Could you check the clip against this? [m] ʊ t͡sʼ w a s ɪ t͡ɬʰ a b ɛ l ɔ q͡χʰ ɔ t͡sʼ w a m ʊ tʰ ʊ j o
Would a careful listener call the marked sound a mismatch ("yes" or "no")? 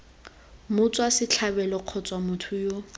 no